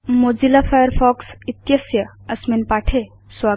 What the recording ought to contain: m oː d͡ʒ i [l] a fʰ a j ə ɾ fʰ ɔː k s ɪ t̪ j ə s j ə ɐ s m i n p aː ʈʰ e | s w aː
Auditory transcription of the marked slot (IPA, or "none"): l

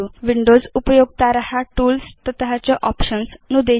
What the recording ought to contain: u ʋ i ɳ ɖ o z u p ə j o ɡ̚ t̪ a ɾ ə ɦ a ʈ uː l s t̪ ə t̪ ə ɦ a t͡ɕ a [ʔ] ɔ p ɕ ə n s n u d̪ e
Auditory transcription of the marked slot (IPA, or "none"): ʔ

